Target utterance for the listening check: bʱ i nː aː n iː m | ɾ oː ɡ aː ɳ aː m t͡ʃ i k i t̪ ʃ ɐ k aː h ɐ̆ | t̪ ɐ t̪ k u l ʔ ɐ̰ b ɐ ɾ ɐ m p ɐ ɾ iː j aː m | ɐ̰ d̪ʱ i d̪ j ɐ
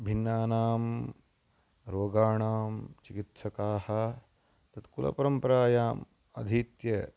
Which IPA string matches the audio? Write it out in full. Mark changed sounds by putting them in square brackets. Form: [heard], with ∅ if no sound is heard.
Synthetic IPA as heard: bʱ i nː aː n [aː] m | ɾ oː ɡ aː ɳ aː m t͡ʃ i k i t̪ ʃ ɐ k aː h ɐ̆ | t̪ ɐ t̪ k u l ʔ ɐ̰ [p] ɐ ɾ ɐ m p ɐ ɾ [aː] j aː m | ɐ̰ d̪ʱ i [t̪] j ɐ